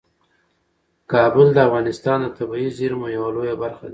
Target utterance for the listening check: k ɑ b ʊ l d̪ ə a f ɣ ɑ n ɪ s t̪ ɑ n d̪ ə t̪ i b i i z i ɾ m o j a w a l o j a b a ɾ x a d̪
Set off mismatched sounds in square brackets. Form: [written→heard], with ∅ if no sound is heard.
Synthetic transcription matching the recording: k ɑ b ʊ l d̪ ə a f ɣ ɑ n ɪ s t̪ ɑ n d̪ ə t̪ [i→a] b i i z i ɾ m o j a w a l o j a b a ɾ x a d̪